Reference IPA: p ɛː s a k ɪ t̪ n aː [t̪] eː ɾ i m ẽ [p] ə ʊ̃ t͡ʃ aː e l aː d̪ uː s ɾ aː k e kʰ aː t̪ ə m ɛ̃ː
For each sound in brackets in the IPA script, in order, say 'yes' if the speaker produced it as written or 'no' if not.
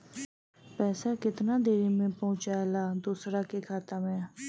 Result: no, yes

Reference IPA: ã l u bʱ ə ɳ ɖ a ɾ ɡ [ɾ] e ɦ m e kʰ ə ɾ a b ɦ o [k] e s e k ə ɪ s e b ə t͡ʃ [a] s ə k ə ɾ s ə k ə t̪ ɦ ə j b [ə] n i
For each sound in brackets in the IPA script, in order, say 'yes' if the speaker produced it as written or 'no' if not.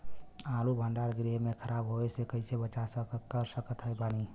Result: yes, no, yes, no

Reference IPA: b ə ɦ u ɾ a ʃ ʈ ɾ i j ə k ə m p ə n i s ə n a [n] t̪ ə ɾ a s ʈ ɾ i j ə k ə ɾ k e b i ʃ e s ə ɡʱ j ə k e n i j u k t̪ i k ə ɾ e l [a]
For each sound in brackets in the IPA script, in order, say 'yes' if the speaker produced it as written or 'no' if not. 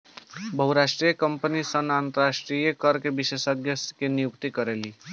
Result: yes, no

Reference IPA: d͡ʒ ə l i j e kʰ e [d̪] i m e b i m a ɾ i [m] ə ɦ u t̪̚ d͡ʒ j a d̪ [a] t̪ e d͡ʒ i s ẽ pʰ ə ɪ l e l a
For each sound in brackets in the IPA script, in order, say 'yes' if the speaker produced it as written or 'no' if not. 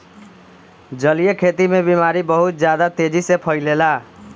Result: no, no, yes

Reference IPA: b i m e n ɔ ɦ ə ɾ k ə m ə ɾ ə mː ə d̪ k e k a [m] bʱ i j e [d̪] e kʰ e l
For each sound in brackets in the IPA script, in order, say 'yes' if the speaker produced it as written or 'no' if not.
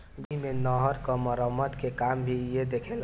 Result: yes, yes

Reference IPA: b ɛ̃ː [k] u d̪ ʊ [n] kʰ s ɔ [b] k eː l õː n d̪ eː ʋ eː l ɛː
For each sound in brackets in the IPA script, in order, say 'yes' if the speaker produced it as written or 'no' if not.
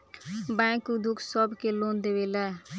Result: yes, no, yes

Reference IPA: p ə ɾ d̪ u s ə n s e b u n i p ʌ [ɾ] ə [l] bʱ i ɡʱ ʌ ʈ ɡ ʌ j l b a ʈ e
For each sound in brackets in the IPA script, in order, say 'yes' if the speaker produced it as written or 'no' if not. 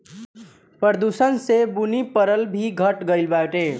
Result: yes, yes

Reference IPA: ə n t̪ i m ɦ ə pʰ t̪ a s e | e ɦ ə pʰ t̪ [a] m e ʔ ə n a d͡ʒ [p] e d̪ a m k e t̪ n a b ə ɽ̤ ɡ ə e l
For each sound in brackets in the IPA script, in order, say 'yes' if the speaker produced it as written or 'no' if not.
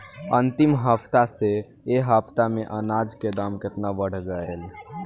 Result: yes, no

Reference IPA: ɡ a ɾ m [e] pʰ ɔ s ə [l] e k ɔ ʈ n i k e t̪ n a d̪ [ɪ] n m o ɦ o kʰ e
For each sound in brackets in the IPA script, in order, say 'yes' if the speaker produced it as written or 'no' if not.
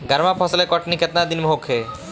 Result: no, yes, no

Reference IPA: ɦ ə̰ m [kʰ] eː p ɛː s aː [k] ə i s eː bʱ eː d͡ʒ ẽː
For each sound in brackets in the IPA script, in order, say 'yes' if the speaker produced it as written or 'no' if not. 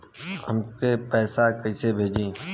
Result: no, yes

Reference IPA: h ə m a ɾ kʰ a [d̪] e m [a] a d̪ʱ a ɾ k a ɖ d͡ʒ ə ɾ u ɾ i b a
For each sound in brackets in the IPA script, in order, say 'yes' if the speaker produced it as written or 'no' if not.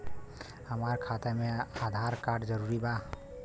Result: no, no

